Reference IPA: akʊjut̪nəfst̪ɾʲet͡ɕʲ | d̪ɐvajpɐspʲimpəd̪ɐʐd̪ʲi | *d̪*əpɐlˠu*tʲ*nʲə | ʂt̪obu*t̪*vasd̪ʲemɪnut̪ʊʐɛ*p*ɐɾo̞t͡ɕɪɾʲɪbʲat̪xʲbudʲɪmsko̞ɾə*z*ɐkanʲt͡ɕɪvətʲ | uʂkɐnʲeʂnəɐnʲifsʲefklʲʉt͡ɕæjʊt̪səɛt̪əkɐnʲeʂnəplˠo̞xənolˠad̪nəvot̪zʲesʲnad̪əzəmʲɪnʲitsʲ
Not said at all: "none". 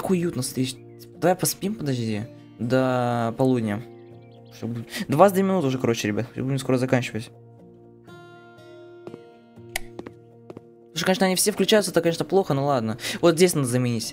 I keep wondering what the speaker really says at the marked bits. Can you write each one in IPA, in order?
d̪, dʲ, d̪, k, z

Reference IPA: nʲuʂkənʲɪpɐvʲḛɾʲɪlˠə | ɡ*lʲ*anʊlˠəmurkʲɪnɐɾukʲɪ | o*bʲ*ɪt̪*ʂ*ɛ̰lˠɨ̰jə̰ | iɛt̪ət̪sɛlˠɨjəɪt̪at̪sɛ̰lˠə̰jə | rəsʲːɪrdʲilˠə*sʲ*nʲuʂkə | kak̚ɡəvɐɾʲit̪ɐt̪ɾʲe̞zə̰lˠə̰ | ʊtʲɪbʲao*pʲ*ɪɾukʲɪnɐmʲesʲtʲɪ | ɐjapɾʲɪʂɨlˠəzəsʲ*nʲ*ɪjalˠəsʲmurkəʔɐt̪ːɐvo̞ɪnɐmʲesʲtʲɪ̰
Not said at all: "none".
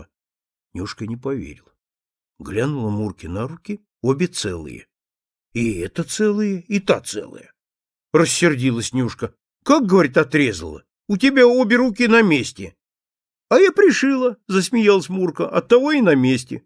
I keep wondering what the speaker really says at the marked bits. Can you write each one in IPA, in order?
lʲ, bʲ, s, sʲ, bʲ, mʲ

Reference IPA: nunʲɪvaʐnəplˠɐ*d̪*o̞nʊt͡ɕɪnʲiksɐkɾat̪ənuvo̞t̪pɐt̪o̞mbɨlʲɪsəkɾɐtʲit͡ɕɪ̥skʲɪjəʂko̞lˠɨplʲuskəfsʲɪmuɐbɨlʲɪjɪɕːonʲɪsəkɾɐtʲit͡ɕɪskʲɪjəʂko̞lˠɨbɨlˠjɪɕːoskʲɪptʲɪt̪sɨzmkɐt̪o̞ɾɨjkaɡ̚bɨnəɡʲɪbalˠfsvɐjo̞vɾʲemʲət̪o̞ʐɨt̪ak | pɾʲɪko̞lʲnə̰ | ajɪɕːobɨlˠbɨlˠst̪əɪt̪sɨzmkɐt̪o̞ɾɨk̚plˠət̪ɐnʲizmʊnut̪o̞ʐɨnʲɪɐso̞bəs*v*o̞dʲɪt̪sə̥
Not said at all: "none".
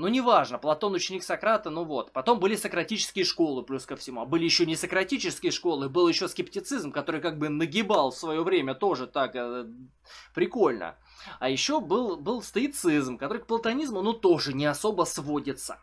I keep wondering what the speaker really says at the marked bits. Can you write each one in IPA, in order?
t̪, v

